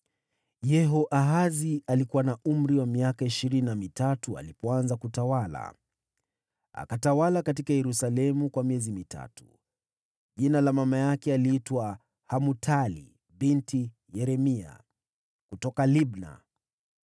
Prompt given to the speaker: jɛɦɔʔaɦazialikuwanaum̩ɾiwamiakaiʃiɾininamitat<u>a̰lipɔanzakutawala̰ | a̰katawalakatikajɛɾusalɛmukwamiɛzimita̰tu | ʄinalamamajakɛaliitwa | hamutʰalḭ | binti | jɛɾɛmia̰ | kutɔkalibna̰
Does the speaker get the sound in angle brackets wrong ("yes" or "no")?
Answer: no